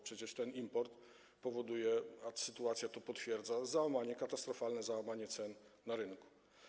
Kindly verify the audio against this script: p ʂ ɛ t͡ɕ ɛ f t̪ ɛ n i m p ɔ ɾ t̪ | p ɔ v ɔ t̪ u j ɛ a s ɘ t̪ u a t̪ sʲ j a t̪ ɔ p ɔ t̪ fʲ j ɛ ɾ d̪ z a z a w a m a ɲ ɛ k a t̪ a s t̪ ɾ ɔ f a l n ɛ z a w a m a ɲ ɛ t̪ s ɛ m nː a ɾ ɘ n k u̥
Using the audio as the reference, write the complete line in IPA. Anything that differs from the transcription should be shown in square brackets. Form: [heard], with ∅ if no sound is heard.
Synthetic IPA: p ʂ ɛ t͡ɕ ɛ [ʂ] t̪ ɛ n i m p ɔ ɾ t̪ | p ɔ v ɔ [d̪] u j ɛ a s ɘ t̪ u a t̪ sʲ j a t̪ ɔ p ɔ t̪ fʲ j ɛ ɾ d̪ z a z a w a m a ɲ ɛ k a t̪ a s t̪ ɾ ɔ f a l n ɛ z a w a m a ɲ ɛ t̪ s ɛ [n] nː a ɾ ɘ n k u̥